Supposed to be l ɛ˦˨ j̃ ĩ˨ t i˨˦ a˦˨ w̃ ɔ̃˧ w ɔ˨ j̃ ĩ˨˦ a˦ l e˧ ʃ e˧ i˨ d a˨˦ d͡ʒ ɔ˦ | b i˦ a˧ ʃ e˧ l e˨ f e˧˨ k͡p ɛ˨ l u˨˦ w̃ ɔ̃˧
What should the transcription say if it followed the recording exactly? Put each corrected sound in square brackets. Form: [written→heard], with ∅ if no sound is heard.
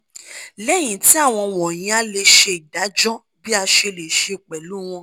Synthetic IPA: l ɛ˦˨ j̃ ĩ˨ t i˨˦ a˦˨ w̃ ɔ̃˧ w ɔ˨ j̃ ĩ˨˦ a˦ l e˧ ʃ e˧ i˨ d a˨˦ d͡ʒ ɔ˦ | b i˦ a˧ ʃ e˧ l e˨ [f→ʃ] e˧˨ k͡p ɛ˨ l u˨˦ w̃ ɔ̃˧